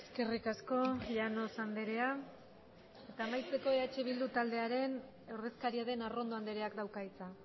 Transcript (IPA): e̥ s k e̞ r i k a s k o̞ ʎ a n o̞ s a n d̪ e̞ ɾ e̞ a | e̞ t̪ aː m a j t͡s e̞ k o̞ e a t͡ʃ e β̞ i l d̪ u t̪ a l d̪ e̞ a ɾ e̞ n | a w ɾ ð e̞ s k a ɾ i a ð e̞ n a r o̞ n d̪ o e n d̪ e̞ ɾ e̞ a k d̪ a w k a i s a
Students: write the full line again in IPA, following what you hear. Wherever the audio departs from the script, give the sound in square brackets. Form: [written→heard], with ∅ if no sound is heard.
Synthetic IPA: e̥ s k e̞ r i k a s k o̞ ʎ a n o̞ s a n d̪ e̞ ɾ e̞ a | e̞ t̪ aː m a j t͡s e̞ k o̞ e a t͡ʃ e β̞ i l d̪ u t̪ a l d̪ e̞ a ɾ e̞ n | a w ɾ ð e̞ s k a ɾ i a ð e̞ n a r o̞ n d̪ o [e→a] n d̪ e̞ ɾ e̞ a k d̪ a w k a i [s→t͡s] a